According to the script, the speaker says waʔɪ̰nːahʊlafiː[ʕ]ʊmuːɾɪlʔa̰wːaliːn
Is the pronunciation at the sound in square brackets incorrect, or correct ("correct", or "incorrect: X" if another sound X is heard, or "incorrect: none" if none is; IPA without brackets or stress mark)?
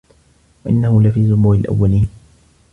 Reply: incorrect: z